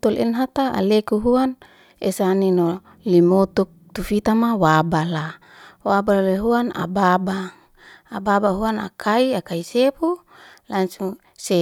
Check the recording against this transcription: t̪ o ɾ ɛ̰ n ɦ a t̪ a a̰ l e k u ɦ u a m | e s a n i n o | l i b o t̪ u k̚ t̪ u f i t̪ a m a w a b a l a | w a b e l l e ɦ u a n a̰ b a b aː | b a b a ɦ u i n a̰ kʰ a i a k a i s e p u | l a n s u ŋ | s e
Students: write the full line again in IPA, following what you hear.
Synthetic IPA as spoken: t̪ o l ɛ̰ n ɦ a t̪ a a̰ l e k u ɦ u a n | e s a n i n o | l i m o t̪ u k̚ t̪ u f i t̪ a m a w a b a l a | w a b a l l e ɦ u a n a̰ b a b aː | b a b a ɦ u a n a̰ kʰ a i a k a i s e p u | l a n s u ŋ | s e